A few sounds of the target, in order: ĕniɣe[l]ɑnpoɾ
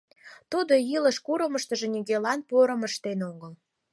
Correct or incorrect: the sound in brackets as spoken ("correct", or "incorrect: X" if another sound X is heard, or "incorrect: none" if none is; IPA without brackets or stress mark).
correct